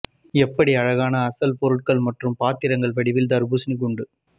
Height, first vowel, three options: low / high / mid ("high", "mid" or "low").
mid